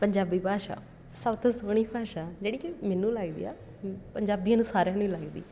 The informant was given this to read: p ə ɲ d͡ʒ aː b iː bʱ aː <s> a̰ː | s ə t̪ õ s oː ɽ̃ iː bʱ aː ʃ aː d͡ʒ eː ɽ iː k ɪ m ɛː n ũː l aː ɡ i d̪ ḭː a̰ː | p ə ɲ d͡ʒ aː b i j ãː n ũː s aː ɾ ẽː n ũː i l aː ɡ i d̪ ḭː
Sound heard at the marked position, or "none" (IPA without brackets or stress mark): ʃ